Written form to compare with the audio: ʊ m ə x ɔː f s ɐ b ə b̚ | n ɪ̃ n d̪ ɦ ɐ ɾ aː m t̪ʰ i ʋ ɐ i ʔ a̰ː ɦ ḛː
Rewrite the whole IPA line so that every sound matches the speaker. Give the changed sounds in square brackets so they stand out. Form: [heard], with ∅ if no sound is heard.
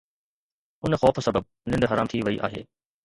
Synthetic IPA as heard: ʊ [n] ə x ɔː f s ɐ b ə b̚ | n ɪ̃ n d̪ ɦ ɐ ɾ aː m t̪ʰ i ʋ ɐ i ʔ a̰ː ɦ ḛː